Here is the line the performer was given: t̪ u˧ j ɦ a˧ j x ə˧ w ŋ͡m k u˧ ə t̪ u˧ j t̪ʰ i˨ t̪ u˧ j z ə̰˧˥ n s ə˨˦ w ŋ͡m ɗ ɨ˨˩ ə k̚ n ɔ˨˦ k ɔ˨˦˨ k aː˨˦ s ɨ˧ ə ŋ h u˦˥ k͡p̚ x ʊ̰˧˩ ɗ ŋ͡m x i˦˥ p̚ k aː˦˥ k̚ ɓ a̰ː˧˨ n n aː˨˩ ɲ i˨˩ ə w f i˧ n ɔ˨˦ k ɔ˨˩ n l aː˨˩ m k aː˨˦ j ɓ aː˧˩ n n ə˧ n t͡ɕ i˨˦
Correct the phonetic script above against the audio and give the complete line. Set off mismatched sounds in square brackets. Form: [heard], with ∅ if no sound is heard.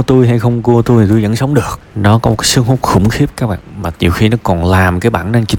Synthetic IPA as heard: t̪ u˧ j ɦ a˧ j x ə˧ w ŋ͡m k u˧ ə t̪ u˧ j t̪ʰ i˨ t̪ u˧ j z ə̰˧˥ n s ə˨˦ w ŋ͡m ɗ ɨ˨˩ ə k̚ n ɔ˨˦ k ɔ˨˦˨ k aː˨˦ s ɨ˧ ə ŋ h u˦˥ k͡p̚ x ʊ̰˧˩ [∅] ŋ͡m x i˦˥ p̚ k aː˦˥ k̚ ɓ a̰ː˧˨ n [m] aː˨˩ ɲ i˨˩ ə w [x] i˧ n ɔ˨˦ k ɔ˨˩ n l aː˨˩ m k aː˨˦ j ɓ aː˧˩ n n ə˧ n t͡ɕ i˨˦